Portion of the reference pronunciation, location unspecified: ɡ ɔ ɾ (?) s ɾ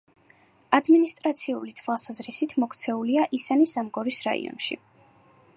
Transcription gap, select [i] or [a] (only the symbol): i